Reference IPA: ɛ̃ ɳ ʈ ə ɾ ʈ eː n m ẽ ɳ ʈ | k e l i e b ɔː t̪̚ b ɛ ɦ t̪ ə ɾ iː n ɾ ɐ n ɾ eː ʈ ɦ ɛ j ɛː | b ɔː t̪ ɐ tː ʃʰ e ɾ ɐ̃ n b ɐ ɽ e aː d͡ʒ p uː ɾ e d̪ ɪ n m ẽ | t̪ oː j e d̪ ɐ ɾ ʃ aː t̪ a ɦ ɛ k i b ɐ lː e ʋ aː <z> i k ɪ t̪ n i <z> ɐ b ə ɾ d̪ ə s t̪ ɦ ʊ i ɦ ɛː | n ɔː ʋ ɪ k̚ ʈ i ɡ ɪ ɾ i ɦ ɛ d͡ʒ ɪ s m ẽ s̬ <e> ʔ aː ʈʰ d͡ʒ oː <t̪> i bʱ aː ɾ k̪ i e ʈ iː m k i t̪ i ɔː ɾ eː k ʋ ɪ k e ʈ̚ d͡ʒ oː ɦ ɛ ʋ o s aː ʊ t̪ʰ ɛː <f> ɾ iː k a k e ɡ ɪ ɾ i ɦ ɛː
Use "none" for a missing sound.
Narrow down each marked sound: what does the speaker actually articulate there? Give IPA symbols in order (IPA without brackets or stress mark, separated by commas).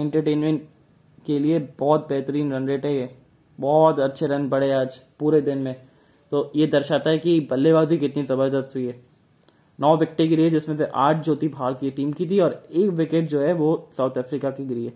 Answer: z, z, e, t̪, f